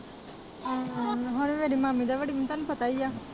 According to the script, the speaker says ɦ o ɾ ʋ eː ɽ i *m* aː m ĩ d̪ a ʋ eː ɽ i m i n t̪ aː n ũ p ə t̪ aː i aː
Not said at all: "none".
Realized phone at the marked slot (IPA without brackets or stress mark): m